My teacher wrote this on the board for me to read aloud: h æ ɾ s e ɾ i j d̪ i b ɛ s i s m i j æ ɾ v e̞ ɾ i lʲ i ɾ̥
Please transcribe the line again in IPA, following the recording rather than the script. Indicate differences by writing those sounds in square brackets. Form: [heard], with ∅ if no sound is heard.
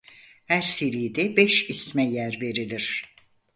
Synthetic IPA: h æ ɾ s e ɾ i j d̪ [ɛ] b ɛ [ʃ] i s m [ɛ] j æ ɾ v e̞ ɾ i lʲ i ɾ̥